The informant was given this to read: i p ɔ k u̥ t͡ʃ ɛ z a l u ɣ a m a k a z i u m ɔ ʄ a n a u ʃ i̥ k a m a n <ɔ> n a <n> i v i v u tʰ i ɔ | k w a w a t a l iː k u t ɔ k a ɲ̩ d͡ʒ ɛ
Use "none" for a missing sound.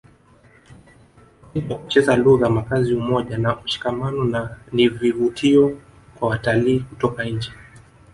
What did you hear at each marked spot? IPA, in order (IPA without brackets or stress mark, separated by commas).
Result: ɔ, n